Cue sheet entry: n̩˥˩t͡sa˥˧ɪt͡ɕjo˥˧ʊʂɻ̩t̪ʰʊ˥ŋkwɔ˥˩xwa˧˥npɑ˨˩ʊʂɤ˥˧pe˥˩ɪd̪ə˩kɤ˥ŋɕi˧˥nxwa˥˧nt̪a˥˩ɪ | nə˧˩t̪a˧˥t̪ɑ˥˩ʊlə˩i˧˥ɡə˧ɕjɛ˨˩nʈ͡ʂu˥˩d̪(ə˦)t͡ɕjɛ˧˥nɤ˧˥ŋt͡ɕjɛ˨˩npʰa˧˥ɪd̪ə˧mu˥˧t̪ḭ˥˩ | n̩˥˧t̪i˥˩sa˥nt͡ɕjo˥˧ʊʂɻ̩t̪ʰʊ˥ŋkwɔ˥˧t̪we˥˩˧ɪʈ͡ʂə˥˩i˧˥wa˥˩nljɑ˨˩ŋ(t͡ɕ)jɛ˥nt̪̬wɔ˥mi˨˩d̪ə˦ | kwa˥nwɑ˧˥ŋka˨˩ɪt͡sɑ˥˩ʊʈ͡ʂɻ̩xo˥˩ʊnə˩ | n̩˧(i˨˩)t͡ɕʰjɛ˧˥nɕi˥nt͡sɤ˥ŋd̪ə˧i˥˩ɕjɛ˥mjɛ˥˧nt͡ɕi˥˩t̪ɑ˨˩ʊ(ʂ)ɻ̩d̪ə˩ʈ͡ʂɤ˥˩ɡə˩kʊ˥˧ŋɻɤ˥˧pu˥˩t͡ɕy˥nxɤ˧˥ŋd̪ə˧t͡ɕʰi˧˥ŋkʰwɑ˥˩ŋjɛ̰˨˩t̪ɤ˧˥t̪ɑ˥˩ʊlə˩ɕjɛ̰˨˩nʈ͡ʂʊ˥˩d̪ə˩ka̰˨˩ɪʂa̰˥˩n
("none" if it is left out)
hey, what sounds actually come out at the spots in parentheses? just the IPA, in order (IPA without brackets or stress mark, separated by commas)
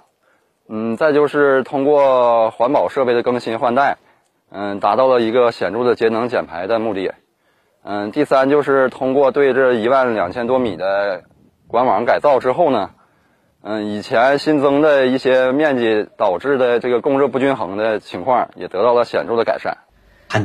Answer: ə˩, t͡ɕʰ, i˨˩, ʈ͡ʂ